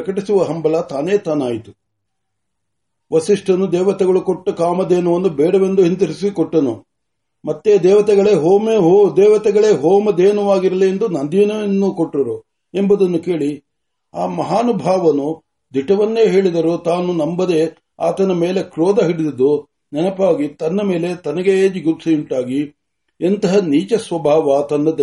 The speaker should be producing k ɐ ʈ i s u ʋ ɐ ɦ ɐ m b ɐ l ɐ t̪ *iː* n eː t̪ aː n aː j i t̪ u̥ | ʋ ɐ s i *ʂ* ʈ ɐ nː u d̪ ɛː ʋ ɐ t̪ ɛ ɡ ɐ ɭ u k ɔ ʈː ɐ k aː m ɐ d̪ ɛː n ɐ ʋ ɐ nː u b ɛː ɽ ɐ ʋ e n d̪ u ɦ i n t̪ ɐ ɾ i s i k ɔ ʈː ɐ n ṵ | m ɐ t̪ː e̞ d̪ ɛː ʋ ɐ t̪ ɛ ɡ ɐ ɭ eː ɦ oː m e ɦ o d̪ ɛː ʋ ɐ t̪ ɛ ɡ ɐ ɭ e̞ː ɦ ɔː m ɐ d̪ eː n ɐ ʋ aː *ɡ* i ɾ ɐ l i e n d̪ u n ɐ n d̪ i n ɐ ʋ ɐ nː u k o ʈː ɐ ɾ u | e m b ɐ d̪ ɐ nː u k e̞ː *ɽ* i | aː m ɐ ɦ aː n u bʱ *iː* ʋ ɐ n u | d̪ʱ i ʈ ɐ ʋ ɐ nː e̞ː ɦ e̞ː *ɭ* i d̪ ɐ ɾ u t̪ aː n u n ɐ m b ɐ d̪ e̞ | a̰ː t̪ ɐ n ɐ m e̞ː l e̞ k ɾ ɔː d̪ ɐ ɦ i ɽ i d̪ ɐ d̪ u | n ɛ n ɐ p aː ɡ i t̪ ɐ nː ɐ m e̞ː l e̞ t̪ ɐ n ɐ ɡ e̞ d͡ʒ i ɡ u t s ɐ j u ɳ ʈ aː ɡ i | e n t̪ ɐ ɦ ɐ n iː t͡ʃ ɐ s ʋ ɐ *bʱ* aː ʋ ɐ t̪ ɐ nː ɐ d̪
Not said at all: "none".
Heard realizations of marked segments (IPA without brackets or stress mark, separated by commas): aː, ʂ, ɡ, ɭ, aː, ɭ, bʱ